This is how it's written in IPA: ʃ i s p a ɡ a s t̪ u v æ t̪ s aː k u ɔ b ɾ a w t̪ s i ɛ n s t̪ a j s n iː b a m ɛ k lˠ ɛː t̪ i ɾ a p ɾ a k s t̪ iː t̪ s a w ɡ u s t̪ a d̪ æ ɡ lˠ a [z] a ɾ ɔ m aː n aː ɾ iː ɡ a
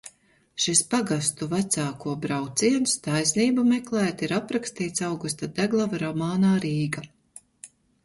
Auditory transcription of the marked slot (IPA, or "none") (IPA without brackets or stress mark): v